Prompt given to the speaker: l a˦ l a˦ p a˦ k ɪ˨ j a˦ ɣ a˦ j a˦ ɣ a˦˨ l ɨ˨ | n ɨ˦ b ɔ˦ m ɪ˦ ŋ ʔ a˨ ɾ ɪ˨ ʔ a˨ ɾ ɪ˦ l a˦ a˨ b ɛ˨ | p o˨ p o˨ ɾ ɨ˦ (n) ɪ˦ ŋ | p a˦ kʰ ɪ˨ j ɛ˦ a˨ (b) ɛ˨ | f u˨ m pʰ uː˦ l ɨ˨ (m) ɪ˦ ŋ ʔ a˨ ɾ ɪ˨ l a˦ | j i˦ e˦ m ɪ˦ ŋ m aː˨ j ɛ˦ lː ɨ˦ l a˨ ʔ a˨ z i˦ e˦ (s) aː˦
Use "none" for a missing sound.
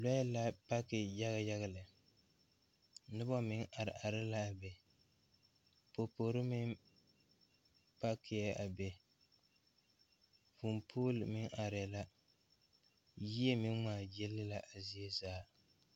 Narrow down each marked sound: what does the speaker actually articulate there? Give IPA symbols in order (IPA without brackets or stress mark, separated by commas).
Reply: m, b, m, z